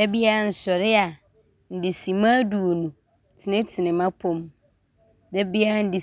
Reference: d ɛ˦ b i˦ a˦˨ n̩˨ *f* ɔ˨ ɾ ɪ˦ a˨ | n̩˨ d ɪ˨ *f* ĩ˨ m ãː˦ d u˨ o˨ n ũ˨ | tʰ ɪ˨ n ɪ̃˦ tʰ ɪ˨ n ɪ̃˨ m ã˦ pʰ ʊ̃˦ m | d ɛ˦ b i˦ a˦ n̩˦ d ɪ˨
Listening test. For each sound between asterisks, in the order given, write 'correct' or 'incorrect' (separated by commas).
incorrect, incorrect